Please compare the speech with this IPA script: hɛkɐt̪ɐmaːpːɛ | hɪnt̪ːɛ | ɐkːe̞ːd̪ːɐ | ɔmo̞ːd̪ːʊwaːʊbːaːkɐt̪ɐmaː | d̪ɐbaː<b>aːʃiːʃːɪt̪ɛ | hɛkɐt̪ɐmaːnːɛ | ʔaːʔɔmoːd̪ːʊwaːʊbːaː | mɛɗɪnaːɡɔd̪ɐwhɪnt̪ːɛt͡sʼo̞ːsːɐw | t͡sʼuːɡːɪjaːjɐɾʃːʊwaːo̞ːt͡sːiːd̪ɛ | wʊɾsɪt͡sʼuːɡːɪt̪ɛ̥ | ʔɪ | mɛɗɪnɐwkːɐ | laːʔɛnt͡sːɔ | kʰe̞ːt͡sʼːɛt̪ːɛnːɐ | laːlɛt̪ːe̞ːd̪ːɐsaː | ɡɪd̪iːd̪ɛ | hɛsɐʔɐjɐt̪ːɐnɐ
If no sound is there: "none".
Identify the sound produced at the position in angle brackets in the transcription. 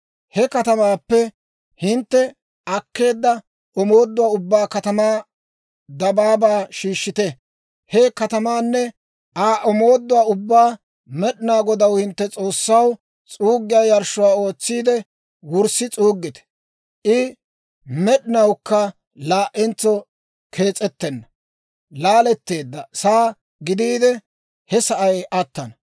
b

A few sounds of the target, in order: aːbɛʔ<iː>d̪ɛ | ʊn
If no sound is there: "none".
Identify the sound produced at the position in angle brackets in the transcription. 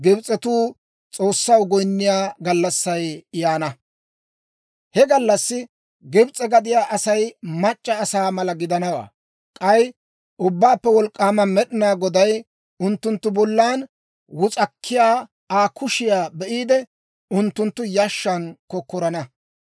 iː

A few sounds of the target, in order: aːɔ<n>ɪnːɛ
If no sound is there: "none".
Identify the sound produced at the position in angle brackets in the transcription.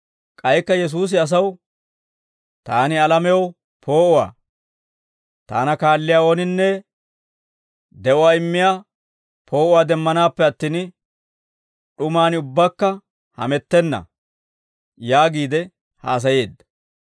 n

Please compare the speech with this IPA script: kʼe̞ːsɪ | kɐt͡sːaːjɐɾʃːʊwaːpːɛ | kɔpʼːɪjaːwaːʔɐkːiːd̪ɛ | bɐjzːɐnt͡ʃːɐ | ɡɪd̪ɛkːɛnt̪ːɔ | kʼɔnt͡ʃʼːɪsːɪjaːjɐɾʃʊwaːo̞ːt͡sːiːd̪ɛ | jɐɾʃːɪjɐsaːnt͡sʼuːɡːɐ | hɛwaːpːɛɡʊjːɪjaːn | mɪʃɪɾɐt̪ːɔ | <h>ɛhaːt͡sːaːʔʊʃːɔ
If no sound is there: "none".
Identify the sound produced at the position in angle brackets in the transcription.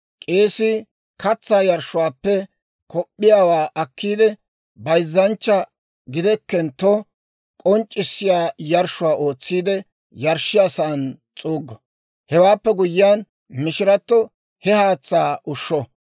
h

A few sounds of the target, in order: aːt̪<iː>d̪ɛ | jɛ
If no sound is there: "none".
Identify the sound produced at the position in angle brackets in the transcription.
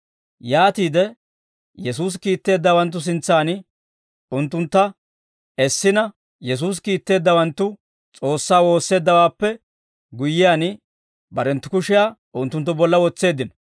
iː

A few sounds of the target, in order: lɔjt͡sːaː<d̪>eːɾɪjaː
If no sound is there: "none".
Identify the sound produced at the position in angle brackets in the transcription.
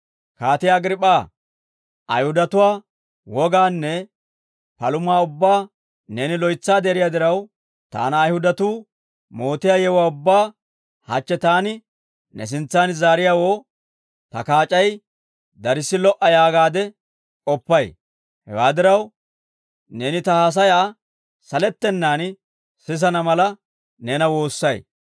d̪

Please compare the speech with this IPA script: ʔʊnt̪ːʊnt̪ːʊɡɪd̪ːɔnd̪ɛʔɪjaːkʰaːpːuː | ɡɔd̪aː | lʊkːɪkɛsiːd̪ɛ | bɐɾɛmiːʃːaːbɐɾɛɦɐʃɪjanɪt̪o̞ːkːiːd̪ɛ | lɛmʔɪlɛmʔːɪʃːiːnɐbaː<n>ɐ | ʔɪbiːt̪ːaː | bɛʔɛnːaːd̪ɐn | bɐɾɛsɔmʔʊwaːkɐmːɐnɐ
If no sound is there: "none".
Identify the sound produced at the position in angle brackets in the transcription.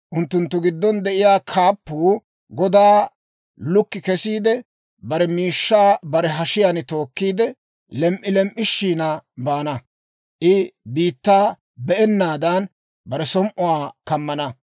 n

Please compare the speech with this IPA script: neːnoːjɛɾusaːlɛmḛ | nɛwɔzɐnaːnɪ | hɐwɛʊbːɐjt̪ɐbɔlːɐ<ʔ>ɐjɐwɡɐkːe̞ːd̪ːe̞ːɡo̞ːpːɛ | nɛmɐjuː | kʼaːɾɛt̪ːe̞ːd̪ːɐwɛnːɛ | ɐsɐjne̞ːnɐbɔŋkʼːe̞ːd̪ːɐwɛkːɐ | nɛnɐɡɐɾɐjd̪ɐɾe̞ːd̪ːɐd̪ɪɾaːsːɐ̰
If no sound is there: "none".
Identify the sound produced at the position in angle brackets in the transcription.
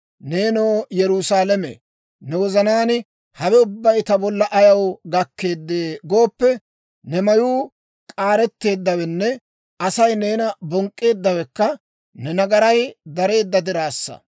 ʔ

